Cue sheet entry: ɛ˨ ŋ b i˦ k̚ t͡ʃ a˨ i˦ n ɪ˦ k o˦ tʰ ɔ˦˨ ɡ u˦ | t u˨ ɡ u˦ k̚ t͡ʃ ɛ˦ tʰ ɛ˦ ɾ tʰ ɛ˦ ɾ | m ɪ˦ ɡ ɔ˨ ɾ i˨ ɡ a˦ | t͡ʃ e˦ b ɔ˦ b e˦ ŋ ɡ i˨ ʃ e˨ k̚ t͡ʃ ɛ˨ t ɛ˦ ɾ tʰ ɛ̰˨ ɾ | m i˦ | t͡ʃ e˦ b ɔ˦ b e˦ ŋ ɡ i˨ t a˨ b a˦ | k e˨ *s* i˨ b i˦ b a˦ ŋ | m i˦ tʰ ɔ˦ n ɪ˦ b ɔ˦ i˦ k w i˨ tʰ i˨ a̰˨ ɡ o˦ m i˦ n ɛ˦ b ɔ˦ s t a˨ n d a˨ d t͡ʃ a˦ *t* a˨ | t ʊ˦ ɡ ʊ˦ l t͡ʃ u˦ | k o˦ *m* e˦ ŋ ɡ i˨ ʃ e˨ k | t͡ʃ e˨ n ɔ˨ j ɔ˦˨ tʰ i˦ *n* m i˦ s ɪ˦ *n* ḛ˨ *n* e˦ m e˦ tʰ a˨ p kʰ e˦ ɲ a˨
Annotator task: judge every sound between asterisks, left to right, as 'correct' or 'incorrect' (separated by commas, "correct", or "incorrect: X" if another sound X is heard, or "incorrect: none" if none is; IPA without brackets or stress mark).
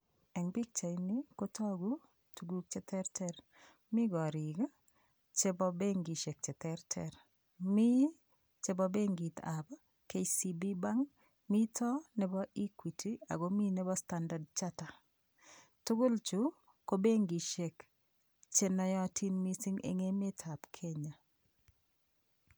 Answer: correct, correct, incorrect: b, correct, incorrect: ŋ, incorrect: ŋ